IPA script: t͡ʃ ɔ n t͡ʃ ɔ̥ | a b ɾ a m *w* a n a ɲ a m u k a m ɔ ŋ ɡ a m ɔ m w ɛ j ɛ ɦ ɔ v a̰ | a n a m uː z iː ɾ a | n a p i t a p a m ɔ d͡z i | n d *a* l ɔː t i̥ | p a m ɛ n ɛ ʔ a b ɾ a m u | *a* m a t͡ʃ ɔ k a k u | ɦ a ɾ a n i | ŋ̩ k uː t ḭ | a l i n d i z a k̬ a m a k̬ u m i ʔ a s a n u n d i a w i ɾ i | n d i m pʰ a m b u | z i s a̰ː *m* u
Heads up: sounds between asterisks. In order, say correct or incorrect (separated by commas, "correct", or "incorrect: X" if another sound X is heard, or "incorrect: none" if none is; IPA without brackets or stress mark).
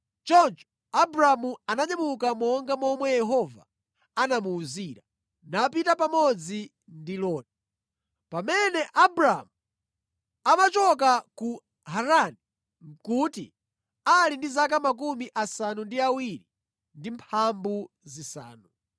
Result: incorrect: u, incorrect: i, correct, incorrect: n